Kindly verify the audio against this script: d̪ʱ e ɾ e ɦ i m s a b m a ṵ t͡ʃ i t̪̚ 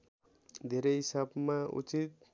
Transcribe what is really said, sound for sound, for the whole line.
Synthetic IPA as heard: d̪ʱ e ɾ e ɦ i s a b m a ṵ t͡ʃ i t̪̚